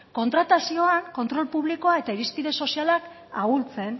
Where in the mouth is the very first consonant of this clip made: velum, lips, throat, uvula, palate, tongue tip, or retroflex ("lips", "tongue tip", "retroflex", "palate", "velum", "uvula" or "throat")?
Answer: velum